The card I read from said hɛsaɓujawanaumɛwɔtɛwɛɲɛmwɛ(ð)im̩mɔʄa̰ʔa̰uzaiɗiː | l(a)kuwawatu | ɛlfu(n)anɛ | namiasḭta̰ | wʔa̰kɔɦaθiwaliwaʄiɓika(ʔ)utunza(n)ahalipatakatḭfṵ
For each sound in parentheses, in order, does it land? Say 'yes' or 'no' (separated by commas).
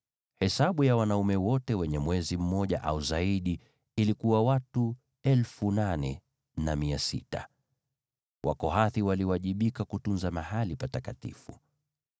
no, no, yes, no, no